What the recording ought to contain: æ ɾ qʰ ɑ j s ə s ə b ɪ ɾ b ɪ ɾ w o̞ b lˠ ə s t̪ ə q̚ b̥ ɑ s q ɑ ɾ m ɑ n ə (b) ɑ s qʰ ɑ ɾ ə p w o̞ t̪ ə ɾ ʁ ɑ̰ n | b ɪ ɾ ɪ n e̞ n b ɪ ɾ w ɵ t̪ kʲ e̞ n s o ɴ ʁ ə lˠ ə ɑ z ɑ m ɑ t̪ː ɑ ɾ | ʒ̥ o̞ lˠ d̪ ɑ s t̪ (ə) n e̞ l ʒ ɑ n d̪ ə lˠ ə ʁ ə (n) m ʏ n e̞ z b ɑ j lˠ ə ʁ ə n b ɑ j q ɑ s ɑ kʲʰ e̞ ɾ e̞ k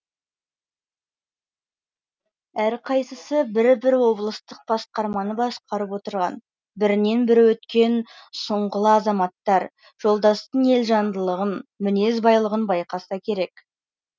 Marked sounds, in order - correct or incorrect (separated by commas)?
correct, correct, correct